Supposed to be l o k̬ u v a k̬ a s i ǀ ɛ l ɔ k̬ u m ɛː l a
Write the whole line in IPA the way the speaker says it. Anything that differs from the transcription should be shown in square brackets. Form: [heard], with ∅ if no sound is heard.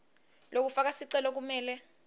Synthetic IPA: l o k̬ u [f] a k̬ a s i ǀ ɛ l ɔ k̬ u m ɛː l [ɛ]